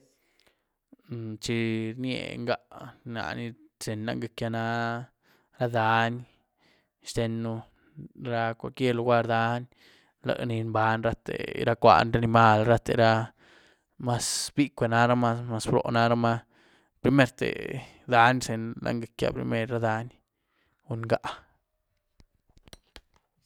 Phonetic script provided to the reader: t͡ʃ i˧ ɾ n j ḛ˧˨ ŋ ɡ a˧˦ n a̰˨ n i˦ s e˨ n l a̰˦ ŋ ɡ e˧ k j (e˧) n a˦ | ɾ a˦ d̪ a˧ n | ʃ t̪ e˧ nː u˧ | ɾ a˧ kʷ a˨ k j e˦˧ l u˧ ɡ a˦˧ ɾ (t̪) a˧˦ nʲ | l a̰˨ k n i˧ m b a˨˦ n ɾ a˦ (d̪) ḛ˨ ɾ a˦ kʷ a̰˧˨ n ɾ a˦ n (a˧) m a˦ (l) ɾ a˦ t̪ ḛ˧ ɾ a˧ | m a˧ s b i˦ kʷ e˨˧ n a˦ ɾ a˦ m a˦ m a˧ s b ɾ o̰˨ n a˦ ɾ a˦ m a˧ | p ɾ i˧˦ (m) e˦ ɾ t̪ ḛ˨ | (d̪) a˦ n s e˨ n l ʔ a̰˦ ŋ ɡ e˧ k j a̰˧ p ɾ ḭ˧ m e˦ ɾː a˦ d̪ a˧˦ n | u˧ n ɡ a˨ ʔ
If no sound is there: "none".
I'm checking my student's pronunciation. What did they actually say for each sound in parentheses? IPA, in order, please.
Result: a˧, d̪, t̪, i˧, l, m, d̪

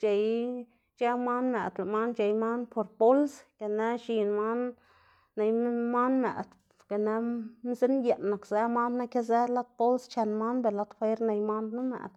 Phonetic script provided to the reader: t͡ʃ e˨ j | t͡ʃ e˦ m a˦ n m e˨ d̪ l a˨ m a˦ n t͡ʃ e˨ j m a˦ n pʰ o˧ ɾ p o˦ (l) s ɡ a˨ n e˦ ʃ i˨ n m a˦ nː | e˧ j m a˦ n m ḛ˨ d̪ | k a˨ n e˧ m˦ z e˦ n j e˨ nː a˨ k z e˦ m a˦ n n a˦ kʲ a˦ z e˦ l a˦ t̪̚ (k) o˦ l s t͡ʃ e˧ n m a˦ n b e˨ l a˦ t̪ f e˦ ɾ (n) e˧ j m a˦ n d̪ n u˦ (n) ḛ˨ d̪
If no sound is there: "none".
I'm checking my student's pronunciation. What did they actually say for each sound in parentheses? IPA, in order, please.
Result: l, p, n, m

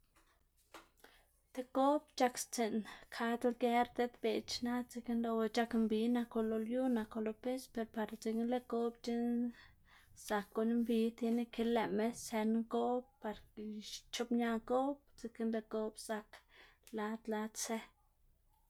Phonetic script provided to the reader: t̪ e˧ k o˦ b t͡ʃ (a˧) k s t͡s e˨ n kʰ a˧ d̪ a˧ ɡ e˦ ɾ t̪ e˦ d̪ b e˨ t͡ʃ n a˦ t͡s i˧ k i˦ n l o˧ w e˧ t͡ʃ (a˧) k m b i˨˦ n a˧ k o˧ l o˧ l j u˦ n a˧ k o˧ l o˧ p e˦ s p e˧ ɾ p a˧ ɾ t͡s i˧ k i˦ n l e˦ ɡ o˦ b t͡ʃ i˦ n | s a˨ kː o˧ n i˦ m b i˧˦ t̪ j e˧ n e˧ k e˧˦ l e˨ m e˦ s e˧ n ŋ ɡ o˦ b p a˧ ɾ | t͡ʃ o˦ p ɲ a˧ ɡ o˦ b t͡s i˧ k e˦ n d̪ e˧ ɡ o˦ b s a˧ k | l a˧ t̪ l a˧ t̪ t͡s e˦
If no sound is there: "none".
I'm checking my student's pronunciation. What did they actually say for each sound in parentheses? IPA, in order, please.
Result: a˧, a˧

